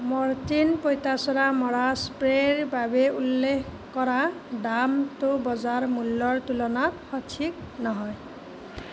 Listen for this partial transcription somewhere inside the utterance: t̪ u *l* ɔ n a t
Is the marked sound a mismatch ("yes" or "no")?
no